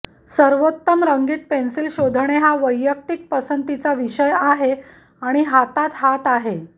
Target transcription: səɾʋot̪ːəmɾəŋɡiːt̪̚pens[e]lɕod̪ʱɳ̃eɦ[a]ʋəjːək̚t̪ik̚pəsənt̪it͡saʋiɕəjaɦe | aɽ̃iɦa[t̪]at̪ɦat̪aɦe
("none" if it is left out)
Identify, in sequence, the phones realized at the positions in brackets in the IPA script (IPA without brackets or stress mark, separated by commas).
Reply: i, a, t̪